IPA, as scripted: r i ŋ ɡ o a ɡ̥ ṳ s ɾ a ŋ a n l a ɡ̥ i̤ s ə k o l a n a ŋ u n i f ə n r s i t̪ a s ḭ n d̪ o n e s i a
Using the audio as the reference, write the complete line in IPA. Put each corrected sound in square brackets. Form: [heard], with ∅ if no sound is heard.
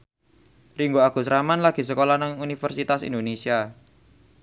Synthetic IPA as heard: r i ŋ ɡ o a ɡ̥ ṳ s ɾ a [m] a n l a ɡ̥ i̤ s ə k o l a n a ŋ u n i f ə [∅] r s i t̪ a s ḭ n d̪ o n e s i a